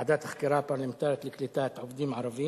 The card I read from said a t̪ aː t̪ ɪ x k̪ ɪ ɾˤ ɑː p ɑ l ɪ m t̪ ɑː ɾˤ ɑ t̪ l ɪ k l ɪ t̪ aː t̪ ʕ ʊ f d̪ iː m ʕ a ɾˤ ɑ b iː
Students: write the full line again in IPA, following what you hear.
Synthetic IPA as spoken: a d̪ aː t̪ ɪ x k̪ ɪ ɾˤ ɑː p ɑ l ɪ m t̪ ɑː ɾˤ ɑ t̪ l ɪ k l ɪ t̪ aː t̪ ʕ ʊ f d̪ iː m ʕ ɑ ɾˤ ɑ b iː